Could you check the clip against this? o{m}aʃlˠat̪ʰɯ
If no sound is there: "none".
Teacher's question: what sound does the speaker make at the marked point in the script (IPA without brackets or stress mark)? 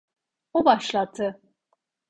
b